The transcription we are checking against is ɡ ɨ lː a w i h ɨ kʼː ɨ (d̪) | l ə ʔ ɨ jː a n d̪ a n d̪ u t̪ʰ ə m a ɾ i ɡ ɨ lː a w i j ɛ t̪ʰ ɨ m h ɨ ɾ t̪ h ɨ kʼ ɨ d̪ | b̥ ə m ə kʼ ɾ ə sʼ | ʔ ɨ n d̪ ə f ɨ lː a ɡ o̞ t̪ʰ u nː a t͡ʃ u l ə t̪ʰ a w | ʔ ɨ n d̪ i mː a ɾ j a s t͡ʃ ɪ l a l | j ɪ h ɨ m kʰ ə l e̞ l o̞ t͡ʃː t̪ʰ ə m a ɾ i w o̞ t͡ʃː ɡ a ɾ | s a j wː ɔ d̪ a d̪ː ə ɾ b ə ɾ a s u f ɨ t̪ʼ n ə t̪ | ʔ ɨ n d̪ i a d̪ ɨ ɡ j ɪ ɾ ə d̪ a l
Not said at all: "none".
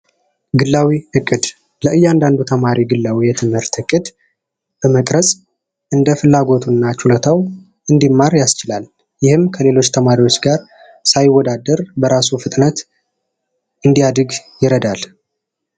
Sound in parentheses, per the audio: d̪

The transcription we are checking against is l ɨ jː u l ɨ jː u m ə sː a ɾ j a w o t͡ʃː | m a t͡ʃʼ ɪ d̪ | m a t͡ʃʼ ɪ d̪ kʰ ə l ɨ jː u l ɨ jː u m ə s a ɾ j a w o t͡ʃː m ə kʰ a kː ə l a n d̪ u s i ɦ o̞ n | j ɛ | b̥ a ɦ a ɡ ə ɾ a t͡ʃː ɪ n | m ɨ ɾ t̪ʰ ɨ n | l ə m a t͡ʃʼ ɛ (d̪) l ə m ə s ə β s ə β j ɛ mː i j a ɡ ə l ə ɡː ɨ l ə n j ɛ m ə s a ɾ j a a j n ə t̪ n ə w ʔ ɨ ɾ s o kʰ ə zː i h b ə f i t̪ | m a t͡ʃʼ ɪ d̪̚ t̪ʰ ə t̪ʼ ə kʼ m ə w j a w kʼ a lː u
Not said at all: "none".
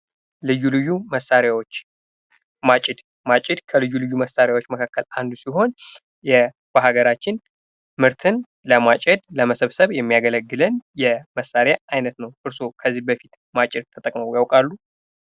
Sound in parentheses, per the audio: d̪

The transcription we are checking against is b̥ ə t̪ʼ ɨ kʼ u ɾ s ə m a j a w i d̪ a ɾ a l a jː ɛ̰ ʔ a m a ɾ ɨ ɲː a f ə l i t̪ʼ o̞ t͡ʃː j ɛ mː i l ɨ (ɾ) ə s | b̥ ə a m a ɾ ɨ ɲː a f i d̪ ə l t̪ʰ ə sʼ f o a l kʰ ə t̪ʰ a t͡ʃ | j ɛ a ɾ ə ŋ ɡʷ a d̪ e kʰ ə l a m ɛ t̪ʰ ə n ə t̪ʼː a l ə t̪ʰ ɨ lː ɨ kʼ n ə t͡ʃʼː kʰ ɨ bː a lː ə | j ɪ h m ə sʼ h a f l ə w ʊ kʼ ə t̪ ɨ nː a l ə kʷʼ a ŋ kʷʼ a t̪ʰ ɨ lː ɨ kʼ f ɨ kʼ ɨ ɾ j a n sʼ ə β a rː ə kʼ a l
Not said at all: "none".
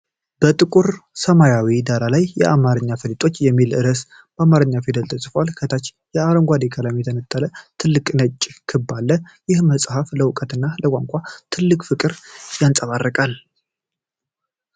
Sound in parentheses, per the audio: ɾ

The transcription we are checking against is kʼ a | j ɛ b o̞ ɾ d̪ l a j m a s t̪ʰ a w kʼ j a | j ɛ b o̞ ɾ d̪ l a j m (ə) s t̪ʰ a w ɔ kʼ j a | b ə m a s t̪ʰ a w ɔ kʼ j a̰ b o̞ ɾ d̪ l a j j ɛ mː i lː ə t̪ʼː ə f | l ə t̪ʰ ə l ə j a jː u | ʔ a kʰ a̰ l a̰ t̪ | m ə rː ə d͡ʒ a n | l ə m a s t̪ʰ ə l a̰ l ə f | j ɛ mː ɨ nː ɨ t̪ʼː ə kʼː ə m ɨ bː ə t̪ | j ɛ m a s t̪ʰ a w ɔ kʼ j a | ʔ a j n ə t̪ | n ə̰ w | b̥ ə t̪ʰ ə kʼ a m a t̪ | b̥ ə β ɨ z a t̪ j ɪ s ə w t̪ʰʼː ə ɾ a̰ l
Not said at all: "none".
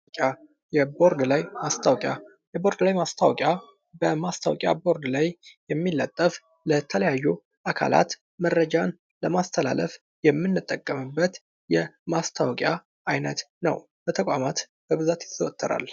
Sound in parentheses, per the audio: a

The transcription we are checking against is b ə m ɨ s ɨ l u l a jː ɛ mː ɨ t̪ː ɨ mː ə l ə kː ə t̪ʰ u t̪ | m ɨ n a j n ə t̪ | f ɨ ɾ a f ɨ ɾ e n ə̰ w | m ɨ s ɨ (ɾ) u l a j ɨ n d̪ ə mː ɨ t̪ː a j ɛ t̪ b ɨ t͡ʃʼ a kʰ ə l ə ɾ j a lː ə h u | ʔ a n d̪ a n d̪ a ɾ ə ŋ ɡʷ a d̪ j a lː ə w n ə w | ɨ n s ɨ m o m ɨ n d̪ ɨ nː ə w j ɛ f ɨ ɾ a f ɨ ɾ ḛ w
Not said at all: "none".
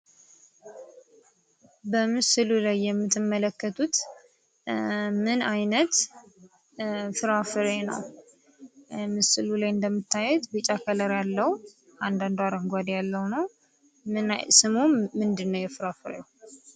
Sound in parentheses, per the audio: l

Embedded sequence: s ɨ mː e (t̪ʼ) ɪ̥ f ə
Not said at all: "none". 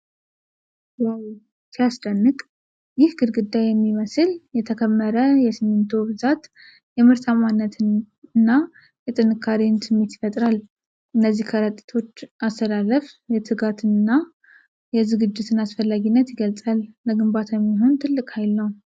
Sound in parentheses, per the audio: t̪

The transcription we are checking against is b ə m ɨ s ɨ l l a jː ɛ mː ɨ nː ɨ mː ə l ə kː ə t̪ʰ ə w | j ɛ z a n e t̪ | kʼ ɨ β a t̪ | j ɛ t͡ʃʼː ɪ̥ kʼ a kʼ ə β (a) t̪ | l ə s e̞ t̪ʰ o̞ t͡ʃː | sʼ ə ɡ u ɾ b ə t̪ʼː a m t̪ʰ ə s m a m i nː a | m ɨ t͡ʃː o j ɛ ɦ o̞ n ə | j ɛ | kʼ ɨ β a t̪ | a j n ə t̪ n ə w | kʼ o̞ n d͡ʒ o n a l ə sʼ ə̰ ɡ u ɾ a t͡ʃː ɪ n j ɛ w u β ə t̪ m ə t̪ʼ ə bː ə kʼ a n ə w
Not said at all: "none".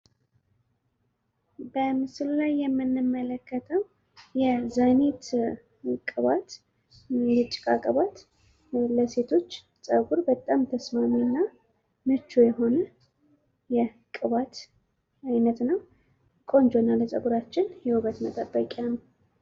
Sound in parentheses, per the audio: a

